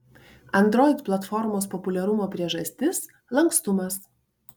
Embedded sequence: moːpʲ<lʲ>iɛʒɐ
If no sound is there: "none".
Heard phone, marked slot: ɾʲ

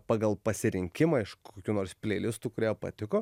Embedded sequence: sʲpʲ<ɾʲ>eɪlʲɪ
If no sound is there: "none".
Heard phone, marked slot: lʲ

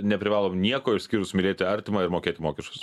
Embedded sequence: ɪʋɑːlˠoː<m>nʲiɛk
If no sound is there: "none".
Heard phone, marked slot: m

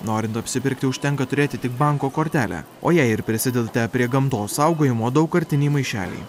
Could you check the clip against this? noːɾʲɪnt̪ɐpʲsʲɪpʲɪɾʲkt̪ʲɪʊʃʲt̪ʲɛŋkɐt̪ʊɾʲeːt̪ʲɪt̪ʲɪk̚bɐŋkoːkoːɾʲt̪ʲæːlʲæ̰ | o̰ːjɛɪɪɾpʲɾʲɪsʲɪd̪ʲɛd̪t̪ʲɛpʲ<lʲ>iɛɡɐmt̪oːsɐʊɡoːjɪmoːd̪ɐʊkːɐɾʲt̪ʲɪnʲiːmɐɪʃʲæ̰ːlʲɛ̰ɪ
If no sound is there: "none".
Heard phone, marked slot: ɾʲ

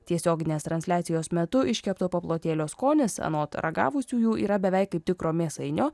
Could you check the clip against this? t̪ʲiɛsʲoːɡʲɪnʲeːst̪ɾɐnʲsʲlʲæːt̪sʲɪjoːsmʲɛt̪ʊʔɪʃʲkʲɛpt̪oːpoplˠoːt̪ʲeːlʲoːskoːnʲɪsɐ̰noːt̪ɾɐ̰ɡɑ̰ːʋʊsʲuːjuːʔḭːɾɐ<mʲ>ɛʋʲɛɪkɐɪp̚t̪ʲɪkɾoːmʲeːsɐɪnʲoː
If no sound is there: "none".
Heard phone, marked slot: bʲ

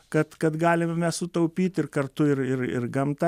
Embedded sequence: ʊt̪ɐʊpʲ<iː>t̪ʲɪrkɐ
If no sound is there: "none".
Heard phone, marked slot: iː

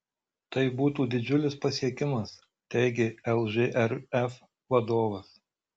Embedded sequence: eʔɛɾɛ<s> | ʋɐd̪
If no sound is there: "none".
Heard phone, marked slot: f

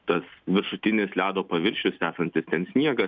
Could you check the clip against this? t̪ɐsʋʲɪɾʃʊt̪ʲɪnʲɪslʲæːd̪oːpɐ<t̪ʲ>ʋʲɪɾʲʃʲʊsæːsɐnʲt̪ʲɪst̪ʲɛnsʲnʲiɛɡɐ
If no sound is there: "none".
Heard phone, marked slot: none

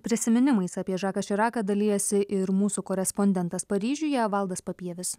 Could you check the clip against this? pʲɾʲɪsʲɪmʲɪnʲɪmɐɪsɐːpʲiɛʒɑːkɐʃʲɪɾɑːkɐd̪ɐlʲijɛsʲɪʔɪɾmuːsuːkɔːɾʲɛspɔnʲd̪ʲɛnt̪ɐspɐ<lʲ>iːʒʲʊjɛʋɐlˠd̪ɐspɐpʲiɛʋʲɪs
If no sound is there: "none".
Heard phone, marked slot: ɾʲ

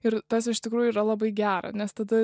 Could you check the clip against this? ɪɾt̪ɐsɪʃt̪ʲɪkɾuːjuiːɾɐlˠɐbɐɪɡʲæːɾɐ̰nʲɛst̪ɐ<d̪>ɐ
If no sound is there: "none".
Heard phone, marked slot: d̪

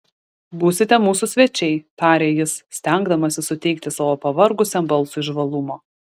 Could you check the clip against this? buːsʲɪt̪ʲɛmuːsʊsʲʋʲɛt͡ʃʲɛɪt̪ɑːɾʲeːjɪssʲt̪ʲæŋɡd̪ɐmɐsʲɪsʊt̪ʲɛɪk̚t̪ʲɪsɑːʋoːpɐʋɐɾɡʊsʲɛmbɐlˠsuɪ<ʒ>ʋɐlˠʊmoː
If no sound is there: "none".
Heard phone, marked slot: ʒ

